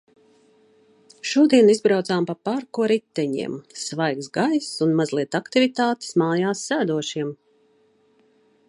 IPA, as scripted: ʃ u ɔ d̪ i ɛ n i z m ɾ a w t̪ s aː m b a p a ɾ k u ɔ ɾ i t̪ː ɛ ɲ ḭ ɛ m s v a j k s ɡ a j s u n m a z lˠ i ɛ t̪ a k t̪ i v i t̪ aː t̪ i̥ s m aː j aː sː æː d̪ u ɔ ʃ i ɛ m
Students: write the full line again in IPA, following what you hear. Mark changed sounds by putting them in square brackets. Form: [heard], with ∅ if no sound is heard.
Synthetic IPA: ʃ u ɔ d̪ i ɛ n i z [b] ɾ a w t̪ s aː m [p] a p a ɾ k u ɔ ɾ i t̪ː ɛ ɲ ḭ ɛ m s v a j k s ɡ a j s u n m a z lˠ i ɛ t̪ a k t̪ i v i t̪ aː t̪ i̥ s m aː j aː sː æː d̪ u ɔ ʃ i ɛ m

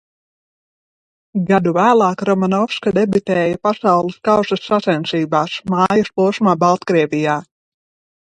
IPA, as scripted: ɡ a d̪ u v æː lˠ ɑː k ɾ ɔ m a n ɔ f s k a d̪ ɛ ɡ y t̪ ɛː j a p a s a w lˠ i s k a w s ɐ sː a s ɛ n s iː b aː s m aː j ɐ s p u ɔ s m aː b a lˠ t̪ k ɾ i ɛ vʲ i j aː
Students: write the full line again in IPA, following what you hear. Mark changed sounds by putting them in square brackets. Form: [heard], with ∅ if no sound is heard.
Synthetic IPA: ɡ a d̪ u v æː lˠ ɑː k ɾ ɔ m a n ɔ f s k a d̪ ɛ [b] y t̪ ɛː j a p a s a w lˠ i s k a w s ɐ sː a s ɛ n s iː b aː s m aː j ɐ s p u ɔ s m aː b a lˠ t̪ k ɾ i ɛ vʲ i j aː

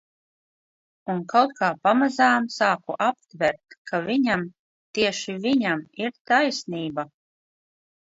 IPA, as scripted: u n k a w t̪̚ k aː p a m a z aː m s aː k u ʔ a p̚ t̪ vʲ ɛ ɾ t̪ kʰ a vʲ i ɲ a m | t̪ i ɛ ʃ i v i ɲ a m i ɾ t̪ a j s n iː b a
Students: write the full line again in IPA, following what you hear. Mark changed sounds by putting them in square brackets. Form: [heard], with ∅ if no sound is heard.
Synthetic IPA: u n k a w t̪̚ k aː p a m a z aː m s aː k u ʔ a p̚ t̪ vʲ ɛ ɾ t̪ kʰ a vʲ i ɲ a m | t̪ i ɛ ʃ i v i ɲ a m i ɾ t̪ a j s n iː b a

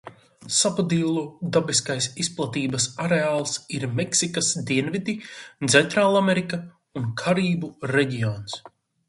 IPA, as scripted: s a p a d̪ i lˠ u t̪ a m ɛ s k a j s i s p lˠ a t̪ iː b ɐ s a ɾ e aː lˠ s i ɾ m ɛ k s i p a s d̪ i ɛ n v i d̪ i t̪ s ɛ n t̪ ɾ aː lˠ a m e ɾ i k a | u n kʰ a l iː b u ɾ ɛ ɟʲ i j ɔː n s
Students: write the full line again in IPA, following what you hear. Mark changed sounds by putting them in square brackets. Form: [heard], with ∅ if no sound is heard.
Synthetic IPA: s a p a d̪ i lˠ u [d̪] a [b] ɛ s k a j s i s p lˠ a t̪ iː b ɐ s a ɾ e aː lˠ s i ɾ m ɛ k s i [k] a s d̪ i ɛ n v i d̪ i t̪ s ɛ n t̪ ɾ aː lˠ a m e ɾ i k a | u n kʰ a [ɾ] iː b u ɾ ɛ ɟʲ i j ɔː n s

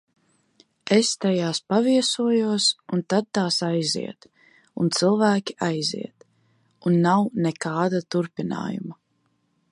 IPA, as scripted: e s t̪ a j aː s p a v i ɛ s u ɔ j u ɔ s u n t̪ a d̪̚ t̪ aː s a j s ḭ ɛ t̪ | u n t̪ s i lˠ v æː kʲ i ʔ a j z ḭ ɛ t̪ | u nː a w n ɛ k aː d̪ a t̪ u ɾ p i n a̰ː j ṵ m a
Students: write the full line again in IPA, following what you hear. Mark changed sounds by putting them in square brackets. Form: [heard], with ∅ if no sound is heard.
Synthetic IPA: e s t̪ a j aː s p a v i ɛ s u ɔ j u ɔ s u n t̪ a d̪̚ t̪ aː s a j [z] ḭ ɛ t̪ | u n t̪ s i lˠ v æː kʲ i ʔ a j z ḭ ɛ t̪ | u nː a w n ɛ k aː d̪ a t̪ u ɾ p i n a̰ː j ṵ m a

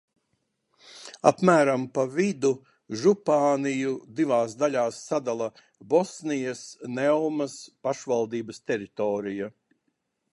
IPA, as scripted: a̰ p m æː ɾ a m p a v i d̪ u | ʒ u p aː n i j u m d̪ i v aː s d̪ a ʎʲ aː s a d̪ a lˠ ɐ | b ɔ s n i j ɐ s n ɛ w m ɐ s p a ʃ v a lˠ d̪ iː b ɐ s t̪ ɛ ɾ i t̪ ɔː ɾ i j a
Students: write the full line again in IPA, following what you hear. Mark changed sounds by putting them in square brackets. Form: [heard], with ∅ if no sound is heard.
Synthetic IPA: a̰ p m æː ɾ a m p a v i d̪ u | ʒ u p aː n i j u [∅] d̪ i v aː s d̪ a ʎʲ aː [sː] a d̪ a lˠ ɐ | b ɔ s n i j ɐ s n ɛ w m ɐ s p a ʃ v a lˠ d̪ iː b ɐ s t̪ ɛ ɾ i t̪ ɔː ɾ i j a

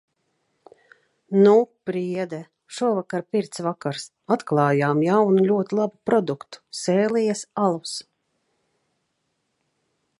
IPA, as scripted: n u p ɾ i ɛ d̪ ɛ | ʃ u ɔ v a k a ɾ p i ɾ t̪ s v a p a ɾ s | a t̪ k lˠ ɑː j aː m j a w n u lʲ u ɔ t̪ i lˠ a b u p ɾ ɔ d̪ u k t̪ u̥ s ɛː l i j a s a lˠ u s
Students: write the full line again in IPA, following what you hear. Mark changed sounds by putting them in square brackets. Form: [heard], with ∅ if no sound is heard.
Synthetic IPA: n u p ɾ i ɛ d̪ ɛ | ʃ u ɔ v a k a ɾ p i ɾ t̪ s v a [k] a ɾ s | a t̪ k lˠ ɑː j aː m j a w n u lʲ u ɔ t̪ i lˠ a b u p ɾ ɔ d̪ u k t̪ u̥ s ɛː l i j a s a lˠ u s

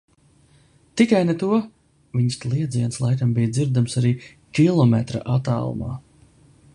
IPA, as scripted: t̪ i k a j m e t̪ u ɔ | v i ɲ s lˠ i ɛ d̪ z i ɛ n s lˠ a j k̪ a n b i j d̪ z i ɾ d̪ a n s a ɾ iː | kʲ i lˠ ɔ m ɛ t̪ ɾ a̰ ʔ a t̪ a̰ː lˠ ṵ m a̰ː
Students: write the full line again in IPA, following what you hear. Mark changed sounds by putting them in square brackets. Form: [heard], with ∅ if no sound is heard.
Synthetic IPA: t̪ i k a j [n] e t̪ u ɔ | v i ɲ s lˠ i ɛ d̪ z i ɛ n s lˠ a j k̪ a [m] b i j d̪ z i ɾ d̪ a [m] s a ɾ iː | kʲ i lˠ ɔ m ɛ t̪ ɾ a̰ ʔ a t̪ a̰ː lˠ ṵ m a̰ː

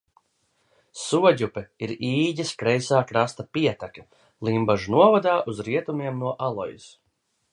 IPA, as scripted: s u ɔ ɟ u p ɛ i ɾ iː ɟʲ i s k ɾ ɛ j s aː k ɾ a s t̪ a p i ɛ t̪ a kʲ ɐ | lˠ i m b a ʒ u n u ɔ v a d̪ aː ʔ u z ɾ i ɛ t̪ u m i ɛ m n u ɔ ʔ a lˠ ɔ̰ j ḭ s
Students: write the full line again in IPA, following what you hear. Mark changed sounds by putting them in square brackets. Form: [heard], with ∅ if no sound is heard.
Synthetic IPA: s u ɔ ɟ u p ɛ i ɾ iː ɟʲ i s k ɾ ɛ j s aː k ɾ a s t̪ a p i ɛ t̪ a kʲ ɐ | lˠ i m b a ʒ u n u ɔ v a d̪ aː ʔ u z ɾ i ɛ t̪ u m i ɛ m n u ɔ ʔ a lˠ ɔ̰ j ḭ s

